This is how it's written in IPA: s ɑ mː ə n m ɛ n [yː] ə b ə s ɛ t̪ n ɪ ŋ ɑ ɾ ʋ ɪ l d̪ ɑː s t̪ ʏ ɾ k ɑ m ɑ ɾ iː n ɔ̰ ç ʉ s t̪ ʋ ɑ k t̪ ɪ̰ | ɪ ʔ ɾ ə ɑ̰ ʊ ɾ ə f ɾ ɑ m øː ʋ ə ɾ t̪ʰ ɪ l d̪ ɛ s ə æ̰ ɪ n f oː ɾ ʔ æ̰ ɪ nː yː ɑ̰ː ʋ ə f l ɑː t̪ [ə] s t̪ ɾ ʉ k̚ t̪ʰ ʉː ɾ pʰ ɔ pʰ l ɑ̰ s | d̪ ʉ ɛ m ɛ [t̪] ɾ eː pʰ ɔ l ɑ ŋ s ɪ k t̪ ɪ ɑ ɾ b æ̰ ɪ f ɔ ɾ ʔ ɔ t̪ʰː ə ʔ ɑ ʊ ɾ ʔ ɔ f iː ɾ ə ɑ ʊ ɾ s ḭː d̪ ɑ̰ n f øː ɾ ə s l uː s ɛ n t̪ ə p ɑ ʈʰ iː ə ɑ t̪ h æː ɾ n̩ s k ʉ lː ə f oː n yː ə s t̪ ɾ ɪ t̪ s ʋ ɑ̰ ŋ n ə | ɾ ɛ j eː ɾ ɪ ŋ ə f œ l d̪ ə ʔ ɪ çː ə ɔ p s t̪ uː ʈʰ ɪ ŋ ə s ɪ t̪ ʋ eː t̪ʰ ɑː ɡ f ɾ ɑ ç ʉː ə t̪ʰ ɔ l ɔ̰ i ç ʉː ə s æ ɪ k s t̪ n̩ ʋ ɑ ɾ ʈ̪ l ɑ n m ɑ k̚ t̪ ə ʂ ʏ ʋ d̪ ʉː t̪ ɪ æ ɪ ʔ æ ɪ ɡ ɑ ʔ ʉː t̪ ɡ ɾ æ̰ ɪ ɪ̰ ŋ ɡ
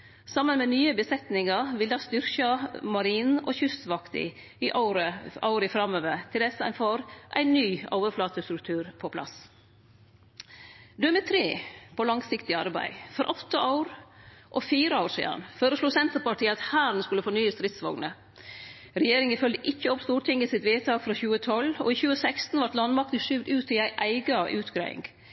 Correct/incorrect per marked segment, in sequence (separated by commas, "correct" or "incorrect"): correct, correct, incorrect